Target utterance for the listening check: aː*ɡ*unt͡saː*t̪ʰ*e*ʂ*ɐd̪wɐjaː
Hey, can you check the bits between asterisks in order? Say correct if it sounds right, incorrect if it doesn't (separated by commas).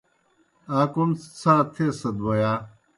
incorrect, correct, incorrect